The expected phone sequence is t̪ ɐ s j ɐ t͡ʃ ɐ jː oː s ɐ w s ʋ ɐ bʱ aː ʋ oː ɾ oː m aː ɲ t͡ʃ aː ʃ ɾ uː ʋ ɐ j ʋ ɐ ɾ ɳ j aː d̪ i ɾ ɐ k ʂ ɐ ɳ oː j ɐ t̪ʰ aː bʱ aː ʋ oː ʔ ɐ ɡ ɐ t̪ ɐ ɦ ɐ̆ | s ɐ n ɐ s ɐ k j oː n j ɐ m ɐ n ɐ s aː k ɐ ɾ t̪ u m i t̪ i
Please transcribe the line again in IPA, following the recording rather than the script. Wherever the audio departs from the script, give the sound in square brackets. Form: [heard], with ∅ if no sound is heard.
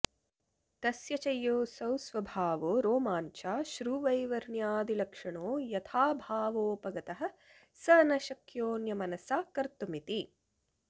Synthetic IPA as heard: t̪ ɐ s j ɐ t͡ʃ ɐ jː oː s ɐ w s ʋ ɐ bʱ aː ʋ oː ɾ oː m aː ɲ t͡ʃ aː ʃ ɾ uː ʋ ɐ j ʋ ɐ ɾ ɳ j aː d̪ i [l] ɐ k ʂ ɐ ɳ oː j ɐ t̪ʰ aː bʱ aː ʋ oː [p] ɐ ɡ ɐ t̪ ɐ ɦ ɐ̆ | s ɐ n ɐ [ʃ] ɐ k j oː n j ɐ m ɐ n ɐ s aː k ɐ ɾ t̪ u m i t̪ i